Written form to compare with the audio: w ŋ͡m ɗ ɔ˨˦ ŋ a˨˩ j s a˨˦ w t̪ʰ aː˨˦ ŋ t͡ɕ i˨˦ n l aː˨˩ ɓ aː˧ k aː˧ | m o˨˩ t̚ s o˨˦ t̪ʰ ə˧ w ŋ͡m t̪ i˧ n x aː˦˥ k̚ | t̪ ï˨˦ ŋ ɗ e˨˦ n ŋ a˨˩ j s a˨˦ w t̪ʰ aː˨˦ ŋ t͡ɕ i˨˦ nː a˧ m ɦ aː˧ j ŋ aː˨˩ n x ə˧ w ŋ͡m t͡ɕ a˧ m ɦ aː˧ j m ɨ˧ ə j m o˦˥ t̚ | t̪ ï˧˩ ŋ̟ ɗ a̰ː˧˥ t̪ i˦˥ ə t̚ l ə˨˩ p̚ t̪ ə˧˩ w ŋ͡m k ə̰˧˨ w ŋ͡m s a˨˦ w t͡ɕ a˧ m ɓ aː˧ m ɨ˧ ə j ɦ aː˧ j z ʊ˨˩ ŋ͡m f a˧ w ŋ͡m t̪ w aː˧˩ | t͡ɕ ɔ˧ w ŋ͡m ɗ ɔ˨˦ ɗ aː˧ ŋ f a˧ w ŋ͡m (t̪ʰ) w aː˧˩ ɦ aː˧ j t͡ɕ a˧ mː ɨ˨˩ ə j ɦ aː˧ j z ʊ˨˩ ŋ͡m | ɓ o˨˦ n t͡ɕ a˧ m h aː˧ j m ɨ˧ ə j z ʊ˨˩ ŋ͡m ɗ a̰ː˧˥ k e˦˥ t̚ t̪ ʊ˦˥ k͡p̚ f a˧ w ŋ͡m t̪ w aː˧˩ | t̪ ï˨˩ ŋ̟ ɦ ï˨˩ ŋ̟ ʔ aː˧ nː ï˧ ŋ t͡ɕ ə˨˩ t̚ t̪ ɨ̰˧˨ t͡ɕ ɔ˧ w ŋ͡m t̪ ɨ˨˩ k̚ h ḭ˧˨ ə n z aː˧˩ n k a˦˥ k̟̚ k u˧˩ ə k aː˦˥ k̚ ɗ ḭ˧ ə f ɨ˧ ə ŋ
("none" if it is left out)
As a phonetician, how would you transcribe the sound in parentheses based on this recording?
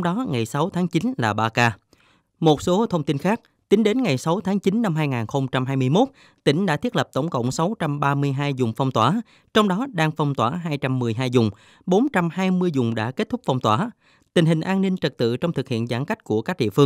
t̪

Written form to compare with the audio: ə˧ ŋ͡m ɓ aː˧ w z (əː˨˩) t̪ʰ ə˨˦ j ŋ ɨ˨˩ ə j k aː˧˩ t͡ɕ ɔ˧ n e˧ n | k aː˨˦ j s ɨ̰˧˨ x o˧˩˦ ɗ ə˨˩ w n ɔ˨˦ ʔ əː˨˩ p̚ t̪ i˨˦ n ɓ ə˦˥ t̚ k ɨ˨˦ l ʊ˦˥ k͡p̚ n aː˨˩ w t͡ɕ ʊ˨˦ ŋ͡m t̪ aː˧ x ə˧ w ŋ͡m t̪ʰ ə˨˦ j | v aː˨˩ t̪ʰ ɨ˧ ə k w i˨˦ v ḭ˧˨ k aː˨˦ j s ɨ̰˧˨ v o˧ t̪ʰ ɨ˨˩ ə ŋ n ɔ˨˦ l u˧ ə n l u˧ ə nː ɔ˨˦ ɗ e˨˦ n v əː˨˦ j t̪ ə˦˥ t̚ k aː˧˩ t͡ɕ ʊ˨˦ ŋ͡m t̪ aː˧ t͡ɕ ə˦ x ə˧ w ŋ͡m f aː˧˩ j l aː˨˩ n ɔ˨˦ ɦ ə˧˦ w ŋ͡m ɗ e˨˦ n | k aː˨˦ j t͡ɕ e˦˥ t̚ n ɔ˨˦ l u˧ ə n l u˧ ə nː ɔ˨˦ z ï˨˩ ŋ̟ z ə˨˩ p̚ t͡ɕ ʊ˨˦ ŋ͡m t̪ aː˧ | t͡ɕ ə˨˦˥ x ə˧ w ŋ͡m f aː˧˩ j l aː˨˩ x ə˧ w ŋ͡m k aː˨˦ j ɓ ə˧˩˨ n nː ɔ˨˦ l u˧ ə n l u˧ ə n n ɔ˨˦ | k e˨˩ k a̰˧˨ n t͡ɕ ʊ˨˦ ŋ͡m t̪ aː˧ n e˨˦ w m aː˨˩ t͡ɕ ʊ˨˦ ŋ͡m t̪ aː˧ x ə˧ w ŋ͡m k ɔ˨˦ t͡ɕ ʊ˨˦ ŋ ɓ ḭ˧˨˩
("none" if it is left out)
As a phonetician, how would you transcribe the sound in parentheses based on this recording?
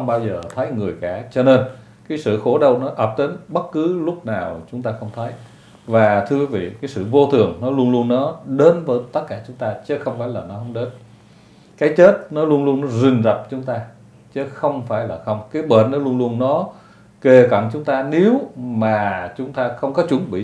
əː˨˩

